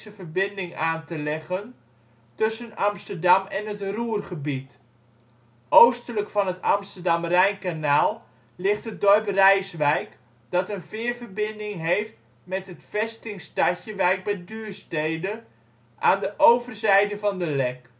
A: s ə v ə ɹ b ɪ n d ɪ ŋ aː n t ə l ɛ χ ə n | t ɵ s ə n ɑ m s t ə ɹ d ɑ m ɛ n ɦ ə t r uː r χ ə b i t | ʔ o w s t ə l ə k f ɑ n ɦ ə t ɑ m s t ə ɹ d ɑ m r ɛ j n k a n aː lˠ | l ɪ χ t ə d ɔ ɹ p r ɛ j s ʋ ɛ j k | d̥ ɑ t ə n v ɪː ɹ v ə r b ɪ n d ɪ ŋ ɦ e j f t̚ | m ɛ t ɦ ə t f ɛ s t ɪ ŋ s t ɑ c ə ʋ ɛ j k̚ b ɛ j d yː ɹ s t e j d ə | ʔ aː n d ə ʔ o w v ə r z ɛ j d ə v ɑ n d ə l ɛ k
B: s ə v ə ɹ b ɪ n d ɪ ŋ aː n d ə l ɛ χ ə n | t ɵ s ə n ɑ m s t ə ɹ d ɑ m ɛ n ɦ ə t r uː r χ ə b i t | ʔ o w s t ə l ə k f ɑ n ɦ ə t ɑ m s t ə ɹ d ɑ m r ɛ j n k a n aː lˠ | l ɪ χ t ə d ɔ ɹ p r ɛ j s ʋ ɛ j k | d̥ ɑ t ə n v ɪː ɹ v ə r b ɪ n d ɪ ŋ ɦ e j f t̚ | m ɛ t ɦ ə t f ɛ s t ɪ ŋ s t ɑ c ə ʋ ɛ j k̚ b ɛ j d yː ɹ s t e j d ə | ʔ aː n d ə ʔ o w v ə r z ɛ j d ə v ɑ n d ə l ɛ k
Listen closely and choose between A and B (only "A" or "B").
A